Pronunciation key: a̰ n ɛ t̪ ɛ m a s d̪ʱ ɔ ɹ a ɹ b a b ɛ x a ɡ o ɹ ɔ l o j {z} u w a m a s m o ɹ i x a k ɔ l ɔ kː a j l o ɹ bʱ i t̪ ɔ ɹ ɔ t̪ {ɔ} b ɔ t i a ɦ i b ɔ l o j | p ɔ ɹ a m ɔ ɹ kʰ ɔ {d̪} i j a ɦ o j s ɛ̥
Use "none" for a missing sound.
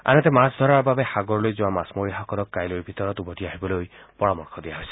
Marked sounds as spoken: z, u, d̪

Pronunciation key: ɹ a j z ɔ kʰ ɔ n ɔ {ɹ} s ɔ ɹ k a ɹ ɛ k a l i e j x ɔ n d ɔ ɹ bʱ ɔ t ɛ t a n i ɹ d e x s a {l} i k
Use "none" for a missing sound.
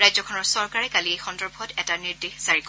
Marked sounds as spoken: ɹ, ɹ

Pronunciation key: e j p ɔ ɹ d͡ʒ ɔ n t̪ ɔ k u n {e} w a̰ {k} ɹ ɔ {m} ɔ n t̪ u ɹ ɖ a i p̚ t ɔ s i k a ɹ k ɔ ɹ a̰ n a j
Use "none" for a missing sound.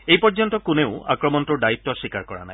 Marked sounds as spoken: e, k, m

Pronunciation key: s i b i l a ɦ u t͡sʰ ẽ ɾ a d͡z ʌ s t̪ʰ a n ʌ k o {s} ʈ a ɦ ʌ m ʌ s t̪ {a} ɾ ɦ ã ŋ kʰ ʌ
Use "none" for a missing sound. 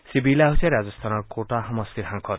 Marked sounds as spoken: none, i

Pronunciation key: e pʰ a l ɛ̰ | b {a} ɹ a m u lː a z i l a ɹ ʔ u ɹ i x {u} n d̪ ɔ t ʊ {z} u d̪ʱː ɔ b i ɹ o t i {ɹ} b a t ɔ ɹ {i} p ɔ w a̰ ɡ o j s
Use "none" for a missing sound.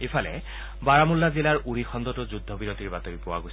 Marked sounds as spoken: a, ɔ, z, ɹ, i

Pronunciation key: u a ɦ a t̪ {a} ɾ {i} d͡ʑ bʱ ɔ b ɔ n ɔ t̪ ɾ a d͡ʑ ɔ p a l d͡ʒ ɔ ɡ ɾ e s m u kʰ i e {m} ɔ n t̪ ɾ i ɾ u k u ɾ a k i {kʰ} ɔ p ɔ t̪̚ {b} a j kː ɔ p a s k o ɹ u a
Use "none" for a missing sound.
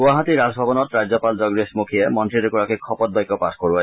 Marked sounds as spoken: i, a, m, kʰ, b

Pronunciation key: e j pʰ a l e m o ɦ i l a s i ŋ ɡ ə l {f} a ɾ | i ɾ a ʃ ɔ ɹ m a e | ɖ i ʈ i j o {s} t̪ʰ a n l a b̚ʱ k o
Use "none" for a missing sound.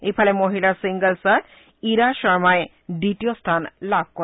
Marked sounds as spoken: s, s

